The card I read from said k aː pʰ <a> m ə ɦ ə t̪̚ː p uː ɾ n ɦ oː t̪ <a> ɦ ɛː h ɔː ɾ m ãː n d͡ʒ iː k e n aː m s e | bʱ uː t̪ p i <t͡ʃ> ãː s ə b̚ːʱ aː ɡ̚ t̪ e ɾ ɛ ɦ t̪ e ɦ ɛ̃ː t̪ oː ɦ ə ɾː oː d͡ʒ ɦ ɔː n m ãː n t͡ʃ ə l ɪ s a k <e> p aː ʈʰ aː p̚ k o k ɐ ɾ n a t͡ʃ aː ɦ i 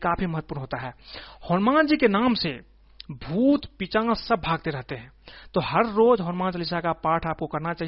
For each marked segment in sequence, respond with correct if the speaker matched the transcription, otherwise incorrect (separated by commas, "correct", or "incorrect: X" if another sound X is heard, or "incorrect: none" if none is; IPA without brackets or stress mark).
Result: incorrect: i, correct, correct, incorrect: a